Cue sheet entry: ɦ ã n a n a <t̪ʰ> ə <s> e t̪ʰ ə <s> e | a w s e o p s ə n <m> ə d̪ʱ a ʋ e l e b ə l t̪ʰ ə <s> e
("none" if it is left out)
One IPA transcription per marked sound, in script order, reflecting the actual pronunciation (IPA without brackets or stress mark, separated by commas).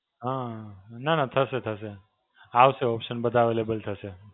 t̪ʰ, s, s, b, s